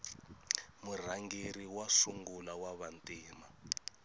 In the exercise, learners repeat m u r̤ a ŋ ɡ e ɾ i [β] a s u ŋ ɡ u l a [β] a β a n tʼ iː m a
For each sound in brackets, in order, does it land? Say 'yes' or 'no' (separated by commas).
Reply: no, no